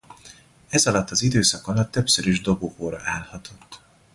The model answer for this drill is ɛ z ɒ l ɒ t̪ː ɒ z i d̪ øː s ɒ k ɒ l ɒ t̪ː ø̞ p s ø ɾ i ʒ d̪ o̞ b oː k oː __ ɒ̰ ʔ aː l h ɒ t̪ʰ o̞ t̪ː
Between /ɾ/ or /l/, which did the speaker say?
ɾ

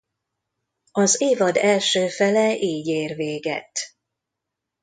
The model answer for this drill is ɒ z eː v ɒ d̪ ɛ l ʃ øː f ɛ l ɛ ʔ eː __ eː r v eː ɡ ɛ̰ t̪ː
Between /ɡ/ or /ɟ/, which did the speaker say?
ɟ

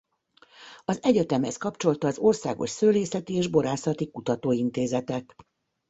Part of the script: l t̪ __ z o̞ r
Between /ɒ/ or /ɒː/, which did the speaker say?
ɒː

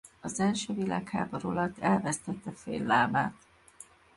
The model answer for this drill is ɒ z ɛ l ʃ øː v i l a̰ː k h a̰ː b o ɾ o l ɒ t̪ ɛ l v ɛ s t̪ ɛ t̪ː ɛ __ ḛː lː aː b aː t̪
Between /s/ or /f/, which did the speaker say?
f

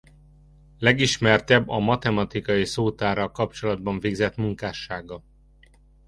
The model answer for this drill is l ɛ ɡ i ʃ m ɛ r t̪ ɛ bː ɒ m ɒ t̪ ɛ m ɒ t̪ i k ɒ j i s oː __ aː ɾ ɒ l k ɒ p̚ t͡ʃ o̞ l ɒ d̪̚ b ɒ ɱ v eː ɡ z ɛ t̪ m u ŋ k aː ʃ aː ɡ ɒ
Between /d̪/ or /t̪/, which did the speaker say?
t̪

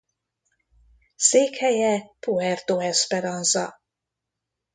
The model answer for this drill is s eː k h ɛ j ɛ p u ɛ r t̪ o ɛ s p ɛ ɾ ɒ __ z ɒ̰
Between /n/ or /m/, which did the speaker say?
n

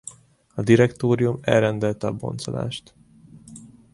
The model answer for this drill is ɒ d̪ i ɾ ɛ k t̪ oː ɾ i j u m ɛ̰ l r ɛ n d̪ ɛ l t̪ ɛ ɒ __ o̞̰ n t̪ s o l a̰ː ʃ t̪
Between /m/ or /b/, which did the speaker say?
b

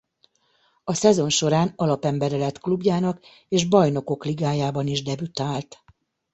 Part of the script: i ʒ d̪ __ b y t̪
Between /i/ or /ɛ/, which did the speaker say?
ɛ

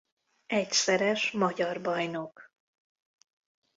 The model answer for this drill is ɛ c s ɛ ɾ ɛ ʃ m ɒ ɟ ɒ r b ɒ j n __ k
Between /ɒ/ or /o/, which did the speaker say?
o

